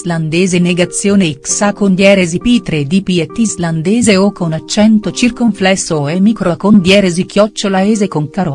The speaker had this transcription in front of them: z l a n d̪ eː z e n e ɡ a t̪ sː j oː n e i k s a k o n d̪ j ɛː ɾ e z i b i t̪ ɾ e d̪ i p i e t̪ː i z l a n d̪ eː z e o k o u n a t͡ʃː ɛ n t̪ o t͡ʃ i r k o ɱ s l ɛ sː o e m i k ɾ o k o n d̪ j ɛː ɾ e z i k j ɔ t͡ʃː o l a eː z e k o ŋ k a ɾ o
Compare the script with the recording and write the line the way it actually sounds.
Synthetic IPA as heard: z l a n d̪ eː z e n e ɡ a t̪ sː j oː n e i k s a k o n d̪ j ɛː ɾ e z i p i t̪ ɾ e d̪ i p i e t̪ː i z l a n d̪ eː z e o k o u n a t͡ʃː ɛ n t̪ o t͡ʃ i r k o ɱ f l ɛ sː o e m i k ɾ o k o n d̪ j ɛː ɾ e z i k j ɔ t͡ʃː o l a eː z e k o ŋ k a ɾ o